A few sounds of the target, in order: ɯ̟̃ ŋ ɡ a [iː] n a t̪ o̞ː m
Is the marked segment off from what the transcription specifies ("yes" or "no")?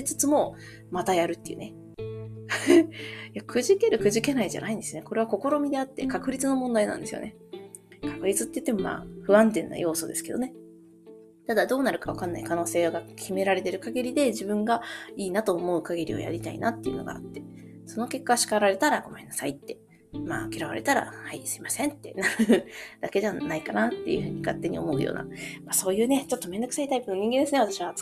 no